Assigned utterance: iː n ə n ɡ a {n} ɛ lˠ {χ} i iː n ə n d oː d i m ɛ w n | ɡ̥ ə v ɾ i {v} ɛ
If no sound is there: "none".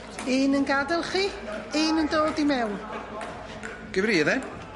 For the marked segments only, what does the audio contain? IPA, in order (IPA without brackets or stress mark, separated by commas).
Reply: d, χ, ð